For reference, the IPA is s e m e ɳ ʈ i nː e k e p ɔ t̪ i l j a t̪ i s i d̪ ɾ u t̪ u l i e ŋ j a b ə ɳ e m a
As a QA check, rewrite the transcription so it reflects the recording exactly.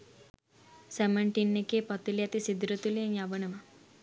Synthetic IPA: s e m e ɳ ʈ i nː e k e p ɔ t̪ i l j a t̪ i s i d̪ ɾ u t̪ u l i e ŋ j a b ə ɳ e m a